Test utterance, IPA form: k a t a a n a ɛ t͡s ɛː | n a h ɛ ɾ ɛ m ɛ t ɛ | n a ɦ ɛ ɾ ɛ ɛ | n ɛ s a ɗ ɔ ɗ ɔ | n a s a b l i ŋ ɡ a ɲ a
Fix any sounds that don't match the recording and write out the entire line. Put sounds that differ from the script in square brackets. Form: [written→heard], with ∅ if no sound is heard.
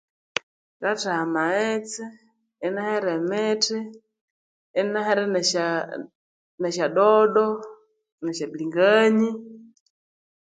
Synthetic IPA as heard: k a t a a [n→m] a ɛ t͡s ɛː | n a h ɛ ɾ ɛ m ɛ t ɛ | n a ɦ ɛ ɾ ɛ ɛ | n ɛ [s→ʃ] a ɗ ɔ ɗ ɔ | n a [s→ʃ] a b l i ŋ ɡ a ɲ [a→i]

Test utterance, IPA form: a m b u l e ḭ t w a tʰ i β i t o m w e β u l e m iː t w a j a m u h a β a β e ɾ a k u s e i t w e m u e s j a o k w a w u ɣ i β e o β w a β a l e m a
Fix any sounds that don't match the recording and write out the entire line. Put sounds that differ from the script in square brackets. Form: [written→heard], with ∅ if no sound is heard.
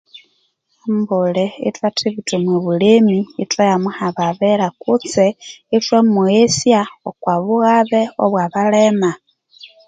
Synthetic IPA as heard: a m b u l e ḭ t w a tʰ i β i t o m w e β u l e m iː t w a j a m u h a β a β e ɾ a k u [s→t͡s] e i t w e m u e s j a o k w a [w→β] u ɣ [i→a] β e o β w a β a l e m a

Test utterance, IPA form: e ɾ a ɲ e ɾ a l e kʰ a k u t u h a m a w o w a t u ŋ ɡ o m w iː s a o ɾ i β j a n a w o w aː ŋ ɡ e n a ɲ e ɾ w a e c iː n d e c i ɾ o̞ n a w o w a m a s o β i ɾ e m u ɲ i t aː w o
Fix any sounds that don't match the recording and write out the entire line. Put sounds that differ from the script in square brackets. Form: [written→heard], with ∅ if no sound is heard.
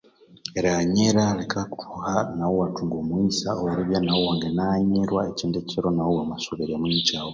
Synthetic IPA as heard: e ɾ a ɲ e ɾ a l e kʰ a k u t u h a [m→n] a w o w a t u ŋ ɡ o m w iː s a o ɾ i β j a n a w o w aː ŋ ɡ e n a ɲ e ɾ w a e c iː n d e c i ɾ o̞ n a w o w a m a s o β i ɾ e m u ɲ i [t→c] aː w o

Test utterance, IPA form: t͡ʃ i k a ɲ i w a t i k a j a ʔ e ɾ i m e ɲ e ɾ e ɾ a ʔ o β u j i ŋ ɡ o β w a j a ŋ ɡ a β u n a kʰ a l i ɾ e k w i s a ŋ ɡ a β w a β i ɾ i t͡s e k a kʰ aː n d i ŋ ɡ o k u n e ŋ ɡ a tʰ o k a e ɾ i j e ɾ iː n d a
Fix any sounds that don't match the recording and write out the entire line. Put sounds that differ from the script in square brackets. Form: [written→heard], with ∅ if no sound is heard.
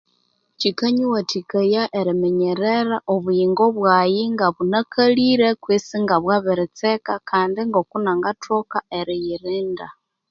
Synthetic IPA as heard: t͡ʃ i k a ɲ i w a t i k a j a ʔ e ɾ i m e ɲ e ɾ e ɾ a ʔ o β u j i ŋ ɡ o β w a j [a→i] ŋ ɡ a β u n a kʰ a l i ɾ e k w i s [a→i] ŋ ɡ a β w a β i ɾ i t͡s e k a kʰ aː n d i ŋ ɡ o k u n [e→a] ŋ ɡ a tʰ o k a e ɾ i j [e→i] ɾ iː n d a

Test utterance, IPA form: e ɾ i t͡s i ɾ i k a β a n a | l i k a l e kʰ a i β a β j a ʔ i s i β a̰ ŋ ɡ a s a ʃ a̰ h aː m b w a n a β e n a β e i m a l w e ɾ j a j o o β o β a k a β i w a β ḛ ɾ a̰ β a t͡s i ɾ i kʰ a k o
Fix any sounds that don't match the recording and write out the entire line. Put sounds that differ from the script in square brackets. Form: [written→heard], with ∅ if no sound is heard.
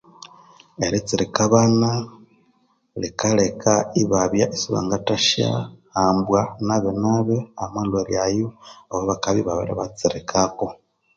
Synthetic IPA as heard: e ɾ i t͡s i ɾ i k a β a n a | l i k a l e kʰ a i β a β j a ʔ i s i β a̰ ŋ ɡ a [s→t] a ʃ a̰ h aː m b w a n a β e n a β e [i→a] m a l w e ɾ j a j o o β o β a k a β i [w→β] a β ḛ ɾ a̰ β a t͡s i ɾ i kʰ a k o

